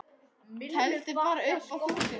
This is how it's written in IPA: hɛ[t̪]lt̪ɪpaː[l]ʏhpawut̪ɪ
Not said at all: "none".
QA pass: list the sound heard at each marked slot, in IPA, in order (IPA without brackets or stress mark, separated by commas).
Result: none, ɾ